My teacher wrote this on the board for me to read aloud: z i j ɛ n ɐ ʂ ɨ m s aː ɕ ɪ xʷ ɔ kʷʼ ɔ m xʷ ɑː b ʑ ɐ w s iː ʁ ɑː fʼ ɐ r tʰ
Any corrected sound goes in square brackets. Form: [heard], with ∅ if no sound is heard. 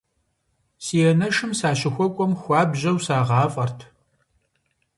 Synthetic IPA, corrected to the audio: [s] i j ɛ n ɐ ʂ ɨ m s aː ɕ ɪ xʷ ɔ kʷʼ ɔ m xʷ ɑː b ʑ ɐ w s [aː] ʁ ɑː fʼ ɐ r tʰ